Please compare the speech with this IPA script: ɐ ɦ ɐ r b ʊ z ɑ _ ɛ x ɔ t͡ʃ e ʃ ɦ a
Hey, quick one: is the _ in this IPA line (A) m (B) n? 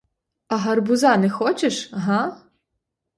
B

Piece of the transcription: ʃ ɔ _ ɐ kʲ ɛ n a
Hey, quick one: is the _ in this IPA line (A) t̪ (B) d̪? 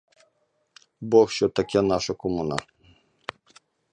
A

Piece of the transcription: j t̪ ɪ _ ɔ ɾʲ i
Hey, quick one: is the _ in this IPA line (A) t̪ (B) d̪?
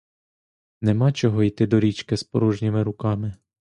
B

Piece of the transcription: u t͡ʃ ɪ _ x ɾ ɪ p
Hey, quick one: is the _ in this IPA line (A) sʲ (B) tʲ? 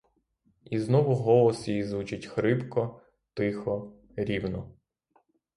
B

